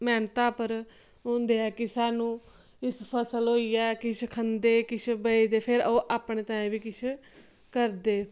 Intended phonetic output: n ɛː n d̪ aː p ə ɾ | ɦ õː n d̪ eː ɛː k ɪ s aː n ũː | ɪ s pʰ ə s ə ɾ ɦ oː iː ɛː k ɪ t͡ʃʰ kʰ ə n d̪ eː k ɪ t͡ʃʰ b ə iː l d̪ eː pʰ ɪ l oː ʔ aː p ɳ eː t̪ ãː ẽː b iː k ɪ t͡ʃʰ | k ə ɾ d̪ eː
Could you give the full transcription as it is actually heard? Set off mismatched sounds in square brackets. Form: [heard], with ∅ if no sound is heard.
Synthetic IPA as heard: [m] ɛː n [t̪] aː p ə ɾ | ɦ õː n d̪ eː ɛː k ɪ s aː n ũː | ɪ s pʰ ə s ə [l] ɦ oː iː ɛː k ɪ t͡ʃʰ kʰ ə n d̪ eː k ɪ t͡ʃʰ b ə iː [∅] d̪ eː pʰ ɪ [ɾ] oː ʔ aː p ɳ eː t̪ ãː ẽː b iː k ɪ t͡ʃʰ | k ə ɾ d̪ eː